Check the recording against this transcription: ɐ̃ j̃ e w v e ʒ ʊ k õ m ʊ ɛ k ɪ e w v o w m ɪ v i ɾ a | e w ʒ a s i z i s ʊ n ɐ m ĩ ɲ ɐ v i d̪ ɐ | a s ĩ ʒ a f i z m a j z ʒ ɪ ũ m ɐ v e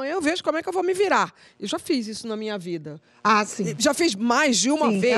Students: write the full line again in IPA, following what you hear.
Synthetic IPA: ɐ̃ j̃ e w v e ʒ ʊ k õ m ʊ ɛ k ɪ e w v o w m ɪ v i ɾ a | e w ʒ a f i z i s ʊ n ɐ m ĩ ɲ ɐ v i d̪ ɐ | a s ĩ ʒ a f i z m a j z d͡ʒ ɪ ũ m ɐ v e